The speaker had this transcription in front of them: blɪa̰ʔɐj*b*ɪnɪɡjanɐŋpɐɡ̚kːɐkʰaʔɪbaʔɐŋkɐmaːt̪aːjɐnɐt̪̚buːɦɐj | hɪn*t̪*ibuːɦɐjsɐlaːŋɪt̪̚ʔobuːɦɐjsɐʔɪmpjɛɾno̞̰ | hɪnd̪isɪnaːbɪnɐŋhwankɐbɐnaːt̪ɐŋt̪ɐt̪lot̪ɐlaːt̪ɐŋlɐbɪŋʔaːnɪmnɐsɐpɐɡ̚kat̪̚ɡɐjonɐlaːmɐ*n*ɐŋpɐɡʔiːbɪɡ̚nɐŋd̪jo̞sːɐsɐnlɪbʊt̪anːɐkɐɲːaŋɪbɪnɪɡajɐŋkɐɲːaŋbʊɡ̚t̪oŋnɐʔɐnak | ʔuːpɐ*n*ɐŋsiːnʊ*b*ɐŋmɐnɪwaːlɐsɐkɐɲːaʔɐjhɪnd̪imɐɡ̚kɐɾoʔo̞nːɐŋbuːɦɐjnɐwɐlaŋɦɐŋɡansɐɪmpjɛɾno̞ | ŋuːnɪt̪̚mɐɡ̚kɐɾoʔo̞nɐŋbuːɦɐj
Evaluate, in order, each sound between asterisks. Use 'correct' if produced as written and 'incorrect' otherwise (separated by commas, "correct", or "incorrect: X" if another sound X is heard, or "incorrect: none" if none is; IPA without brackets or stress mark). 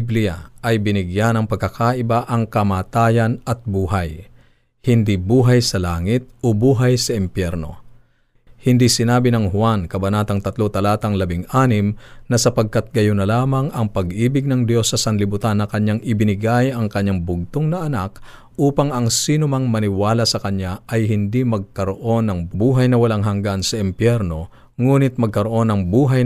correct, incorrect: d̪, incorrect: ŋ, incorrect: ŋ, incorrect: m